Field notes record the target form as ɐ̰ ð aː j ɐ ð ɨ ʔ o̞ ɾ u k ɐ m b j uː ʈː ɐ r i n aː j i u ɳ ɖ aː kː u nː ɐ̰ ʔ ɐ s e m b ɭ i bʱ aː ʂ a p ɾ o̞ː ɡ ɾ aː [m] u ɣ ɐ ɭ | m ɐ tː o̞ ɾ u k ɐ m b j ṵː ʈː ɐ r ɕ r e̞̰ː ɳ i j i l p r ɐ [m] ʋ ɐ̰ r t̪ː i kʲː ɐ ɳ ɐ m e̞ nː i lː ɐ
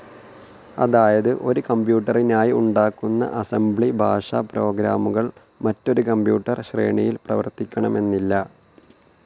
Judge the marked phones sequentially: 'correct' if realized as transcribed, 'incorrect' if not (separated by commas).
correct, incorrect